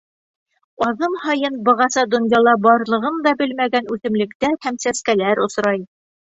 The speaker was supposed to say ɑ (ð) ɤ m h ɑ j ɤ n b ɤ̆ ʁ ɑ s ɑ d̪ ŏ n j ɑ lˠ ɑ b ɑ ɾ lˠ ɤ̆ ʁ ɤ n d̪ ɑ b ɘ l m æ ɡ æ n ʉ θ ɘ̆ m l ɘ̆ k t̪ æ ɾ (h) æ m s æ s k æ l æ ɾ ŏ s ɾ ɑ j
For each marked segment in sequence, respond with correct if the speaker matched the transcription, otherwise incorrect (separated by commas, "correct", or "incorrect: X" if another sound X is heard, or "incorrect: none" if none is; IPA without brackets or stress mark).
correct, correct